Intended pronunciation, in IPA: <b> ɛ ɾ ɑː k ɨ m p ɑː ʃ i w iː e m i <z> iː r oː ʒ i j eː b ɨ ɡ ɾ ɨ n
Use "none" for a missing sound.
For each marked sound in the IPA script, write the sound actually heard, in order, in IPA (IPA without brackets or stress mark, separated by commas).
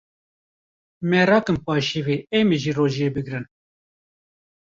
m, ʒ